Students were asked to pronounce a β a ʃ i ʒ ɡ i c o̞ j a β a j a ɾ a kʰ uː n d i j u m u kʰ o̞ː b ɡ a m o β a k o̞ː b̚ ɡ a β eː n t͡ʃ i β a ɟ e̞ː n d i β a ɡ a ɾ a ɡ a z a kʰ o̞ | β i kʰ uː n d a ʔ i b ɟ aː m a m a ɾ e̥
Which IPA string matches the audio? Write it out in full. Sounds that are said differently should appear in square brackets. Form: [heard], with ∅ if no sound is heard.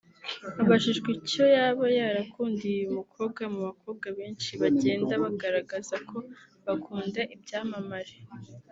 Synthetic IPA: a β a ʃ i ʒ ɡ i c o̞ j a β a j a ɾ a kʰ uː n d i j u m u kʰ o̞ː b ɡ a m [u] β a k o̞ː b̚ ɡ a β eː n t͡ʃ i β a ɟ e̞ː n d [a] β a ɡ a ɾ a ɡ a z a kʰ o̞ | β [a] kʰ uː n d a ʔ i b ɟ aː m a m a ɾ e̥